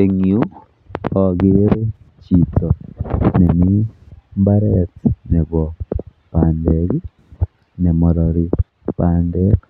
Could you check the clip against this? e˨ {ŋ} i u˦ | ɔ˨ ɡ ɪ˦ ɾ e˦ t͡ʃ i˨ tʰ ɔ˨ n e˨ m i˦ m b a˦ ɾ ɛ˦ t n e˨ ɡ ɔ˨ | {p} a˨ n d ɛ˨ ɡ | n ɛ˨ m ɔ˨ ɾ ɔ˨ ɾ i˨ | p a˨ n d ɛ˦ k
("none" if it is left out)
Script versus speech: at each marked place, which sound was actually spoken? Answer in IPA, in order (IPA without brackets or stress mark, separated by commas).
ŋ, p